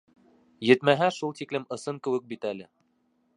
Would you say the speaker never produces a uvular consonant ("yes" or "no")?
yes